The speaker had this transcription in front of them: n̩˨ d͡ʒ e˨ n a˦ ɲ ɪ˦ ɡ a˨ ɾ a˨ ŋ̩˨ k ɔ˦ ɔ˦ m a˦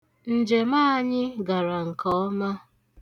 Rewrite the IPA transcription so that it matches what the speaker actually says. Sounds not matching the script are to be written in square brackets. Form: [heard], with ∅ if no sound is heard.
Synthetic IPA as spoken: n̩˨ d͡ʒ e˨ [m] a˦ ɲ ɪ˦ ɡ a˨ ɾ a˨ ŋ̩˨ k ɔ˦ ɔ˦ m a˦

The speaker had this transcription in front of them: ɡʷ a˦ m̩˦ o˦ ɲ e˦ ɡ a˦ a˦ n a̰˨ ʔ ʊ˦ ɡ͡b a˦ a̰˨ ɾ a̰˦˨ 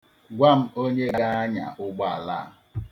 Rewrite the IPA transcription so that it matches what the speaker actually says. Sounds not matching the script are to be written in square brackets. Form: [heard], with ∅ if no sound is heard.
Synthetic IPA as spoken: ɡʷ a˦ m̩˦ o˦ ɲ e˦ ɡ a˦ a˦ [ɲ] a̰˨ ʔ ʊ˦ ɡ͡b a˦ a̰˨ [l] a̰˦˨

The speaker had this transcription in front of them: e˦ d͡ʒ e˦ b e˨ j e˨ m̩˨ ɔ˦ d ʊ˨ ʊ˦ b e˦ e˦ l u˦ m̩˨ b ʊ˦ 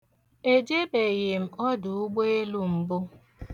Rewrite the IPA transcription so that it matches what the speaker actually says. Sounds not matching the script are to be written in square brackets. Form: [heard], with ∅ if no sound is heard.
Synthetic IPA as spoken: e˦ d͡ʒ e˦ b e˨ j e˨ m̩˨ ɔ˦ d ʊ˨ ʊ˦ [ɡ͡b] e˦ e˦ l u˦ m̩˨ b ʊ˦

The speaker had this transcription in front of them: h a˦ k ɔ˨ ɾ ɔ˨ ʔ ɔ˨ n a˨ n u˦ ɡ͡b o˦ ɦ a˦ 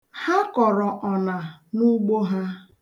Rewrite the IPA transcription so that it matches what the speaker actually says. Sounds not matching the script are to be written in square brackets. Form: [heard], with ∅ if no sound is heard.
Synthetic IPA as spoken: h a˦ k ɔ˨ ɾ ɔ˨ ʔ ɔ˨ n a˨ n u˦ ɡ͡b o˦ ɦ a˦

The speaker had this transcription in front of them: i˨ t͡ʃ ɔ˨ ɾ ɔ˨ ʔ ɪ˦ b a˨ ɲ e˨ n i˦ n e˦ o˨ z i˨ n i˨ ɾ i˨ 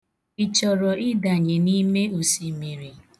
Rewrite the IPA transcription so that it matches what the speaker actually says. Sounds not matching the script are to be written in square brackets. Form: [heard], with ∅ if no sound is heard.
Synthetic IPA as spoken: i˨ t͡ʃ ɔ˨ ɾ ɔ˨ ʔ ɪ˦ [d] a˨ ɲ e˨ n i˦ [m] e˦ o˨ [s] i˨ [m] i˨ ɾ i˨

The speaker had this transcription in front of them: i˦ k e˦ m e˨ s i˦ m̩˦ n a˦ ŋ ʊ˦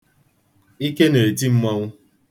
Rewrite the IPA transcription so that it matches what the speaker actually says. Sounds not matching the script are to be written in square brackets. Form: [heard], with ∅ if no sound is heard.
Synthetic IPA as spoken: i˦ k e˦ [n] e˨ [t] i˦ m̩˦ [m] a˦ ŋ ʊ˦

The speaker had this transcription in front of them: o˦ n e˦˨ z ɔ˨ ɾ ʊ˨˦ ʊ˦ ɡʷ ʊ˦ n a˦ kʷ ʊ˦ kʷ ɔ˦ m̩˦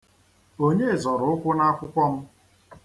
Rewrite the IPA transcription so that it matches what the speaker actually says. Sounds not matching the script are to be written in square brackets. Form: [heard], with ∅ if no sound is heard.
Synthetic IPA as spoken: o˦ [ɲ] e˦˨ z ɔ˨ ɾ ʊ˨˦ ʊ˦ [kʷ] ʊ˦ n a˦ kʷ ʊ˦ kʷ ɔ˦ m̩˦

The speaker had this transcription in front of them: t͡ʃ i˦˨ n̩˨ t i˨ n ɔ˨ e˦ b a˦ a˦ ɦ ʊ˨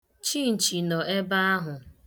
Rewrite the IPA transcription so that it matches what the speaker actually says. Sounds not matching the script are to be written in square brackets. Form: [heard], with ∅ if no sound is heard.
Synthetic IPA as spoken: t͡ʃ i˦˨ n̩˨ [t͡ʃ] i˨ n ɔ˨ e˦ b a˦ a˦ ɦ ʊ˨

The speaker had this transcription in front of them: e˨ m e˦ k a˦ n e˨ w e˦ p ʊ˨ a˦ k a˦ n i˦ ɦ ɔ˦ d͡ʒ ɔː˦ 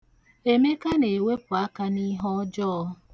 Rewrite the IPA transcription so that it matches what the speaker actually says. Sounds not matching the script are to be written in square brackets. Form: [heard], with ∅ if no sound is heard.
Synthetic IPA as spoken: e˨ m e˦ k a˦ n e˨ w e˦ p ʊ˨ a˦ k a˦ n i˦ ɦ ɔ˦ d͡ʒ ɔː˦

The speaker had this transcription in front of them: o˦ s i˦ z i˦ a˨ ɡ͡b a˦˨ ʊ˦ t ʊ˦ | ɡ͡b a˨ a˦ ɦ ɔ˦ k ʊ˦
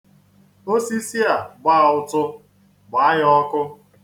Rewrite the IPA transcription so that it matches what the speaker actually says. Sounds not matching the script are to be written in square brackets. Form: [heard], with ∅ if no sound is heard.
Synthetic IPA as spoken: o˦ s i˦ [s] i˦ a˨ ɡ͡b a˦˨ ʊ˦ t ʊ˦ | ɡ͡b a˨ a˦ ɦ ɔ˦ k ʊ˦

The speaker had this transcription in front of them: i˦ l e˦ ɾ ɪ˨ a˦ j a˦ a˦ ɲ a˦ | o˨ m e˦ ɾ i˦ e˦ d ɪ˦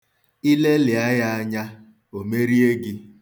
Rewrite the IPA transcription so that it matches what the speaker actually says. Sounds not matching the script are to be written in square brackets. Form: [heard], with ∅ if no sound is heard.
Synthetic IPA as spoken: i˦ l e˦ [l] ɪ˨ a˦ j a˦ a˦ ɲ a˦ | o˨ m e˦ ɾ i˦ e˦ [ɡ] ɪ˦

